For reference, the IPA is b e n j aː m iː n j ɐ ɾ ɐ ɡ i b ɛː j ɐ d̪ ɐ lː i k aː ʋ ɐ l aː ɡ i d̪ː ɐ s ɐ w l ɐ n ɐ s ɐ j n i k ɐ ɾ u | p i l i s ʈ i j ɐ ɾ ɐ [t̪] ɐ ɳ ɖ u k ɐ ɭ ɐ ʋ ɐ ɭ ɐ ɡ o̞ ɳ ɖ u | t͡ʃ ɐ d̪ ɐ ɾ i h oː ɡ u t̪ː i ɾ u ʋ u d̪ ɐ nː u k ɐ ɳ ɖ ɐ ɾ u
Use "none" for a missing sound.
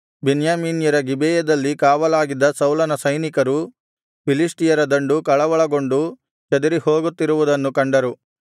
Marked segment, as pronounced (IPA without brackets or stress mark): d̪